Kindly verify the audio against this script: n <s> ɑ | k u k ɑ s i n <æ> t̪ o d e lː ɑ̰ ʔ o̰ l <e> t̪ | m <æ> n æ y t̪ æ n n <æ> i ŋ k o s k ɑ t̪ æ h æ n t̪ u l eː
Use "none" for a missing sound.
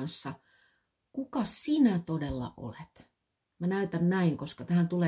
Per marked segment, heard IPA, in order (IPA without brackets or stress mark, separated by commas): sː, æ, e, æ, æ